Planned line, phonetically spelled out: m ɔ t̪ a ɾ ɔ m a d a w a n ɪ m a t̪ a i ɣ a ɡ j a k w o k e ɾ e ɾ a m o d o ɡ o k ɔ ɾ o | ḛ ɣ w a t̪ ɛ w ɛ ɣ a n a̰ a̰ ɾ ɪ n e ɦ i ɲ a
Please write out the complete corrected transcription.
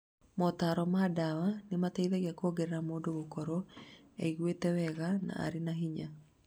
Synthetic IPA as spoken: m ɔ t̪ a ɾ ɔ m a d a w a n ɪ m a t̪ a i ð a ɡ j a k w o ɡ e ɾ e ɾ a m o d o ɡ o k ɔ ɾ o | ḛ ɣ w e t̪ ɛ w ɛ ɣ a n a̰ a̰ ɾ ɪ n a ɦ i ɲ a